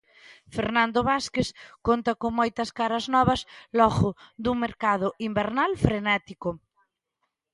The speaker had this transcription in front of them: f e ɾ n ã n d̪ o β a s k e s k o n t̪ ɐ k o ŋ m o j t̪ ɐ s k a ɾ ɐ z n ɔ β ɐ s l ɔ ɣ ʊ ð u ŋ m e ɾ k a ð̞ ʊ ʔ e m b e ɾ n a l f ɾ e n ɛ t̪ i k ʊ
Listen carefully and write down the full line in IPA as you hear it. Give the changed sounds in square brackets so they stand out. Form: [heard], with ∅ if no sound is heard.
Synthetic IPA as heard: f e ɾ n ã n d̪ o β a s k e s k o n t̪ ɐ k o ŋ m o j t̪ ɐ s k a ɾ ɐ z n ɔ β ɐ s l ɔ ɣ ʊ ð u ŋ m e ɾ k a ð̞ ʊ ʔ [i] m b e ɾ n a l f ɾ e n ɛ t̪ i k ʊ